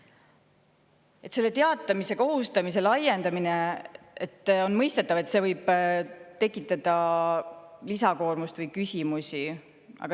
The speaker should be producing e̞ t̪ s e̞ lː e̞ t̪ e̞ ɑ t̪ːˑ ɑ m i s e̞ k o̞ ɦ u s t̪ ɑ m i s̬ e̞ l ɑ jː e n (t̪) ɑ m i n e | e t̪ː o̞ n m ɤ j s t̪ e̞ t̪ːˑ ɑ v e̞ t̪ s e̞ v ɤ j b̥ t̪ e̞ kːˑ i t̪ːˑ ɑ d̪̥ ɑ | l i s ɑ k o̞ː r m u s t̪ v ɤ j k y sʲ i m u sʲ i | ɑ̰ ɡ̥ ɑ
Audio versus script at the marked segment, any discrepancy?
yes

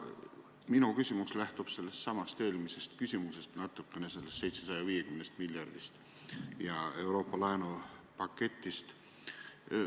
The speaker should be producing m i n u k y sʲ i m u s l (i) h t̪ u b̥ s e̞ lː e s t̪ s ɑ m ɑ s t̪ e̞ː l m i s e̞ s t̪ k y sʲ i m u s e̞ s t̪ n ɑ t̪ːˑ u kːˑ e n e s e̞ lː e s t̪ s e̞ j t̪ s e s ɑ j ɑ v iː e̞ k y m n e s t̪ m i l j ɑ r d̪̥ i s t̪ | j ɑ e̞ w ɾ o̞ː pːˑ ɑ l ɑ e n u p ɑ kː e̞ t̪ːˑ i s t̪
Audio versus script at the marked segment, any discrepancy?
yes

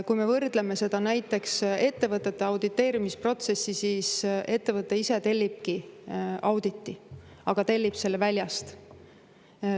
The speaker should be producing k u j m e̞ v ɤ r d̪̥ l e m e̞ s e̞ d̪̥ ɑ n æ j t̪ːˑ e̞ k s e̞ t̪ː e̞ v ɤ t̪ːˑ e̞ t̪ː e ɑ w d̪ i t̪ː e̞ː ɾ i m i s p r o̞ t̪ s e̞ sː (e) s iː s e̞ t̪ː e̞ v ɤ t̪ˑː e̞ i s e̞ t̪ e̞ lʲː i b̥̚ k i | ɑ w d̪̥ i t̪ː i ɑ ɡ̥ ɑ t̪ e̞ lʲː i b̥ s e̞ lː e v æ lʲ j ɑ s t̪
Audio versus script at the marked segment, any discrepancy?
yes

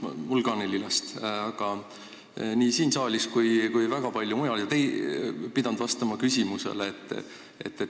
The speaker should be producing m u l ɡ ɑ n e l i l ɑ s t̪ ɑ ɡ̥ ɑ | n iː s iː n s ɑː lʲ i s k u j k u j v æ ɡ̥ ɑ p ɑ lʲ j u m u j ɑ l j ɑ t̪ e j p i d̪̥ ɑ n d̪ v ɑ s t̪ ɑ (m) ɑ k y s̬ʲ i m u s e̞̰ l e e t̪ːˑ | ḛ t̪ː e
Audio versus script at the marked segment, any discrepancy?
no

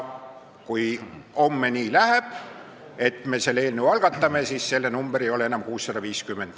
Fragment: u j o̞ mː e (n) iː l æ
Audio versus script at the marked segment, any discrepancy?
no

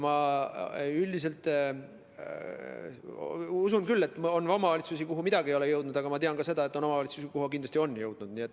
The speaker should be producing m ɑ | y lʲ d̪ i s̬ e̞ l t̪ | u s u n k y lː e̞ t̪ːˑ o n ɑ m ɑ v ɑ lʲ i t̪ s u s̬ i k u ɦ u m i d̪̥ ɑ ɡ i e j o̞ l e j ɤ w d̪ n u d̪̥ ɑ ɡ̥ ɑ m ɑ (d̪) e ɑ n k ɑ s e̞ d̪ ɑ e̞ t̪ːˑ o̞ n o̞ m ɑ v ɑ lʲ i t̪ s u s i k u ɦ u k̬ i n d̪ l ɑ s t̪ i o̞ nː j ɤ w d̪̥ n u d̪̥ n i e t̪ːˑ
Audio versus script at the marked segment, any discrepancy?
yes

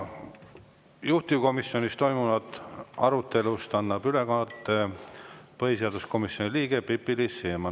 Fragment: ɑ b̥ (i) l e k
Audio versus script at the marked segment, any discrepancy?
yes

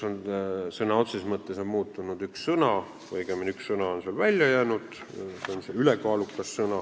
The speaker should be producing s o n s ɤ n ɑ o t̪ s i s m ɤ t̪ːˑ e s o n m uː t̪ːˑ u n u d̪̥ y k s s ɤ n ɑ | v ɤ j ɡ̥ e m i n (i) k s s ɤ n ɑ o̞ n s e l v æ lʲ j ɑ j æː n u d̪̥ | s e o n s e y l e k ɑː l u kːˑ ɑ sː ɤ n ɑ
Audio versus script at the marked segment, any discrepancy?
yes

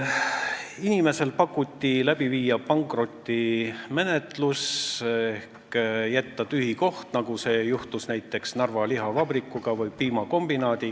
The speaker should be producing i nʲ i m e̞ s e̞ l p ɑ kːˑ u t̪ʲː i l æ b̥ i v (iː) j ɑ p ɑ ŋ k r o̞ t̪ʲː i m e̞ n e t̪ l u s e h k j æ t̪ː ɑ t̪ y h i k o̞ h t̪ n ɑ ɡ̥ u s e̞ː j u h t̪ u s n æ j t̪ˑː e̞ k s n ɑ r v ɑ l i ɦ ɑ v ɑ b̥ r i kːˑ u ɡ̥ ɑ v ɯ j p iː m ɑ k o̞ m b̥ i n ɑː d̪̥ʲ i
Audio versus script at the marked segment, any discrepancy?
no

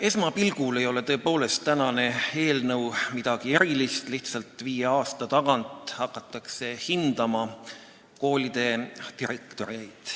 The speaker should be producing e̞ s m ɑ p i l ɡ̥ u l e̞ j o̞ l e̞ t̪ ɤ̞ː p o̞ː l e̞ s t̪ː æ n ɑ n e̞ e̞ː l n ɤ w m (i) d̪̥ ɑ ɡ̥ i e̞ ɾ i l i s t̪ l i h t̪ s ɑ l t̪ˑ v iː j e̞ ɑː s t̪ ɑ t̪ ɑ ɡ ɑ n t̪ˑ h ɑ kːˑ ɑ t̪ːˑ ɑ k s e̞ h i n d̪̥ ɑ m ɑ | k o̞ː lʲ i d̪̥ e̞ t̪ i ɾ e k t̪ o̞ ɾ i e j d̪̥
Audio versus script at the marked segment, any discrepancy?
no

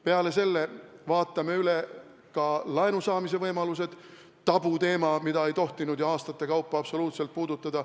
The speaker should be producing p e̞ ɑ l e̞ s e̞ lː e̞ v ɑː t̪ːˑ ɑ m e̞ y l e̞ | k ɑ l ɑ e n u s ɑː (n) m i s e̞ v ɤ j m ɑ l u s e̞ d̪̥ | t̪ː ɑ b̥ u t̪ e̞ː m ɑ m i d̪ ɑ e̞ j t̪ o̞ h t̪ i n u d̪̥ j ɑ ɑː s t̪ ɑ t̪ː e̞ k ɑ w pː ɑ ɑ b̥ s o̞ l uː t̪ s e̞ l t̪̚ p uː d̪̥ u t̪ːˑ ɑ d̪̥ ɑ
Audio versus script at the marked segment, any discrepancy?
yes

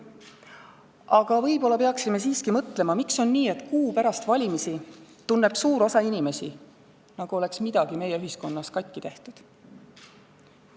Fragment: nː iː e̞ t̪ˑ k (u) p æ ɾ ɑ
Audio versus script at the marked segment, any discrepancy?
yes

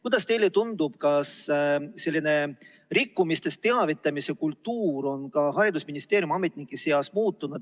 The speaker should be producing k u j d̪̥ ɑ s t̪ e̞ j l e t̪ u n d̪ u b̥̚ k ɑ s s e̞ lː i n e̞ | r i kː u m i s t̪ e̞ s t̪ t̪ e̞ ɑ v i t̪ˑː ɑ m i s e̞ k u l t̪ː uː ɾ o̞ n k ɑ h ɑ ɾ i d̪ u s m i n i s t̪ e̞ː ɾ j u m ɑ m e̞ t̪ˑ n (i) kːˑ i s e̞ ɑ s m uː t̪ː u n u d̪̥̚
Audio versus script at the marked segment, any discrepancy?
no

